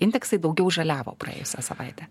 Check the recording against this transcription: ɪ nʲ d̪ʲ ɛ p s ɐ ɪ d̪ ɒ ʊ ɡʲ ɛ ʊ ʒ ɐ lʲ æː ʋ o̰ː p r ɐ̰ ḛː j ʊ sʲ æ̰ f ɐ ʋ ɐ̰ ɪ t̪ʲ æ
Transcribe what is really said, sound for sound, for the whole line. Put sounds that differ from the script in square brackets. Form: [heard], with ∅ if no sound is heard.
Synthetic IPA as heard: ɪ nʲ d̪ʲ ɛ [k] s ɐ ɪ d̪ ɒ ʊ ɡʲ ɛ ʊ ʒ ɐ lʲ æː ʋ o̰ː p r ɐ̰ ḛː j ʊ sʲ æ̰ [s] ɐ ʋ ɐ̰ ɪ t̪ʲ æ